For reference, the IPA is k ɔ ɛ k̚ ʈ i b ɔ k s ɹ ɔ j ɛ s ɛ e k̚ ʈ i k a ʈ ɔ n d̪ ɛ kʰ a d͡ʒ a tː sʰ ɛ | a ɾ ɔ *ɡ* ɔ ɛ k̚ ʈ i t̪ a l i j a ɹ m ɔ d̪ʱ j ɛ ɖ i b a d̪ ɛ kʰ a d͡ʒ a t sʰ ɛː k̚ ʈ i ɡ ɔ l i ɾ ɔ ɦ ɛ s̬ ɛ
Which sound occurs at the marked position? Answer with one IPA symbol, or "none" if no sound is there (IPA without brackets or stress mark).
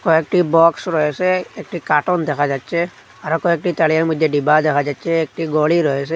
k